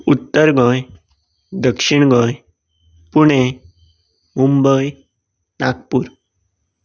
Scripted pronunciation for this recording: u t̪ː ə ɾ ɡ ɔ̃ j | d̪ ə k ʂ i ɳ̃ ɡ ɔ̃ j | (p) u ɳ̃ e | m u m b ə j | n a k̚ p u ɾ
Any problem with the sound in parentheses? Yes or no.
no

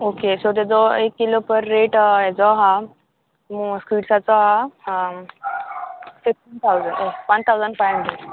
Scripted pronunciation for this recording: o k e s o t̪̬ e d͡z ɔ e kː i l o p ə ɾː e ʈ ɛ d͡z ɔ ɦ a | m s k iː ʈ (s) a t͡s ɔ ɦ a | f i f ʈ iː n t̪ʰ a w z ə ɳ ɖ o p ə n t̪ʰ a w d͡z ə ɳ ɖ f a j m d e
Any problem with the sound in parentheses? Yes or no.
no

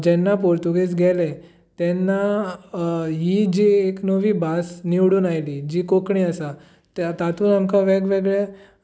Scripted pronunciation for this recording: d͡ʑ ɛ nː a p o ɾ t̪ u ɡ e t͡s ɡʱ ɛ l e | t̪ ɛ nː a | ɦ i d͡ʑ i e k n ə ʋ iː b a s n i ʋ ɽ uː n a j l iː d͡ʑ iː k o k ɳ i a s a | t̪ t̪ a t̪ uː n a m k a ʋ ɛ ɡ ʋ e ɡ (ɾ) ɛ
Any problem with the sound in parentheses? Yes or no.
yes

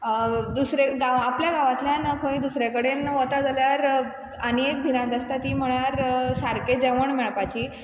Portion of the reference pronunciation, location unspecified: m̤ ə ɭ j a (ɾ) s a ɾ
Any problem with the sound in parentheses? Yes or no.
no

